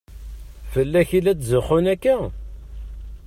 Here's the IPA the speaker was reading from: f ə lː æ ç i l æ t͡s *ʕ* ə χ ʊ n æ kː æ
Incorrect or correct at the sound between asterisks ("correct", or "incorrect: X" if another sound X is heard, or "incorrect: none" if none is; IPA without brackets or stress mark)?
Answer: incorrect: z